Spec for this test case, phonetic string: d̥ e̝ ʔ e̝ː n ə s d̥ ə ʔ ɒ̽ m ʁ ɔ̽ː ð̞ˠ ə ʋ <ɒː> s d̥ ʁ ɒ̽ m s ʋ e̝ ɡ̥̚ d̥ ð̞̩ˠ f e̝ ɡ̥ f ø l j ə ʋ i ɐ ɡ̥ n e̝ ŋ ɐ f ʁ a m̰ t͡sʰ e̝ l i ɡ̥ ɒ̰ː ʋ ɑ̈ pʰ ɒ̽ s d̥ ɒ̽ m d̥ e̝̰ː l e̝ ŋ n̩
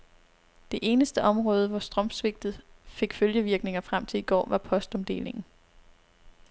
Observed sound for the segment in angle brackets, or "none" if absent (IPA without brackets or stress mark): ɒ